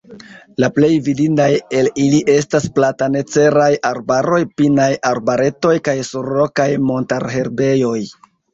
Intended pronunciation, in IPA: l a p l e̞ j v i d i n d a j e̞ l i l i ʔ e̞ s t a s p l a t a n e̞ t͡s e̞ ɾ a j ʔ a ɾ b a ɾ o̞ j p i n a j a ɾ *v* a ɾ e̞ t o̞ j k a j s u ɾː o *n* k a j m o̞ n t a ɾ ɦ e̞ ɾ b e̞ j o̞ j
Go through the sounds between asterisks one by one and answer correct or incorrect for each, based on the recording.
incorrect, incorrect

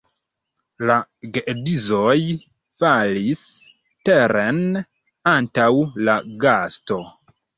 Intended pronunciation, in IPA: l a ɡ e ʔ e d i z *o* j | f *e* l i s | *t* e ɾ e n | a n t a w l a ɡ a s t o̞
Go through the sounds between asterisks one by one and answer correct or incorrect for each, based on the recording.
correct, incorrect, correct

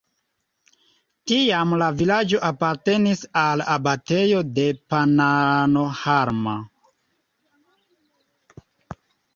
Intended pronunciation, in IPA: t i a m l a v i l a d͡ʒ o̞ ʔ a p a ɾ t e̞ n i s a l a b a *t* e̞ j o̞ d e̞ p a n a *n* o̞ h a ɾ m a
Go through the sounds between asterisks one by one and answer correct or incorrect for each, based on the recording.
correct, correct

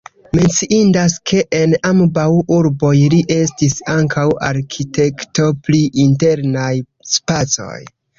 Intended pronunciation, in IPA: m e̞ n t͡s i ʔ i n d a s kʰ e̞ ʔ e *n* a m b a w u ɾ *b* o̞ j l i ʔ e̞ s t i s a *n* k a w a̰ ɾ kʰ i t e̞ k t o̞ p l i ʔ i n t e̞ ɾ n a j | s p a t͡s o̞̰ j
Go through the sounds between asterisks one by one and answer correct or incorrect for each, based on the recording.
correct, correct, incorrect

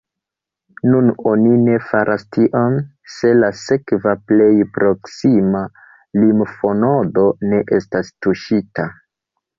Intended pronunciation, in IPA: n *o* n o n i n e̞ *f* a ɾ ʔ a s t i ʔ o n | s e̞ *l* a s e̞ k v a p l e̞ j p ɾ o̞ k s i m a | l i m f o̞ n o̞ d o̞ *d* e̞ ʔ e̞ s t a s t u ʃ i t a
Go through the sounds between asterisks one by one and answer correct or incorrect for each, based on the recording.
incorrect, correct, correct, incorrect

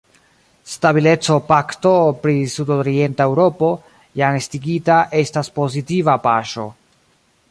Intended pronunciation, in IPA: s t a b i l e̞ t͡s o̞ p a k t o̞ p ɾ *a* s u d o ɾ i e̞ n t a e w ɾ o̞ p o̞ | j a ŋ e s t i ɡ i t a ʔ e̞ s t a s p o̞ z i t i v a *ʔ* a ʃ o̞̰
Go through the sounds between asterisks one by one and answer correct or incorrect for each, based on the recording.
incorrect, incorrect

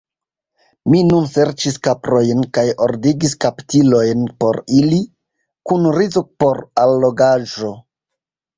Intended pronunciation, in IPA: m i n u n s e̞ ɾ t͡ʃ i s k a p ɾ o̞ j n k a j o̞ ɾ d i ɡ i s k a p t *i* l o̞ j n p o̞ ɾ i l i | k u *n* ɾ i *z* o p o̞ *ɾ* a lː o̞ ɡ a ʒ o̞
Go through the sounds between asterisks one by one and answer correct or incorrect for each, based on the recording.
correct, correct, correct, correct

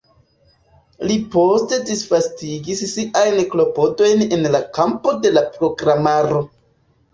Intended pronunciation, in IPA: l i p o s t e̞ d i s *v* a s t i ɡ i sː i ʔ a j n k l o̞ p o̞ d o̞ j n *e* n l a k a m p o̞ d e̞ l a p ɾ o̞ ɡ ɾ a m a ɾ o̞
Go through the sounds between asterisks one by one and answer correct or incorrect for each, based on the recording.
incorrect, correct

